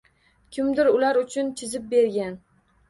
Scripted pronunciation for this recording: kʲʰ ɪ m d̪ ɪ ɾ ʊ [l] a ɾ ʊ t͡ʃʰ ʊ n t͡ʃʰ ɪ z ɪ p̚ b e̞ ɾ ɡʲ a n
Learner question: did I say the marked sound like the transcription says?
yes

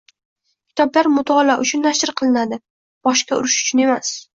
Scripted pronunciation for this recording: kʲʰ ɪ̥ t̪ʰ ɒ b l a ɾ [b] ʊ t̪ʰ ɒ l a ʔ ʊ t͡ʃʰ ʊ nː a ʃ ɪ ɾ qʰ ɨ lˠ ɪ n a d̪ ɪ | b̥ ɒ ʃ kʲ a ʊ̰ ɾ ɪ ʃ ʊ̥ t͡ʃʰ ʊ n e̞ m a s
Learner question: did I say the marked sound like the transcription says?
no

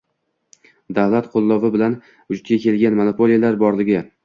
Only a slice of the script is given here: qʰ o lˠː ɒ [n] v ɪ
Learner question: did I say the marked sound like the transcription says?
no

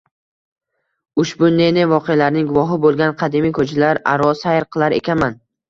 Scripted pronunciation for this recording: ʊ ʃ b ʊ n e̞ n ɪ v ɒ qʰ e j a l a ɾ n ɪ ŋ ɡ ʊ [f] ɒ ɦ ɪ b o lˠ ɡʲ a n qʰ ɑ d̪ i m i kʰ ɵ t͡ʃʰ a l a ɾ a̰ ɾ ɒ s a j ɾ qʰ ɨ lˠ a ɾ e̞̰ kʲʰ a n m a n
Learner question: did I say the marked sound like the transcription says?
no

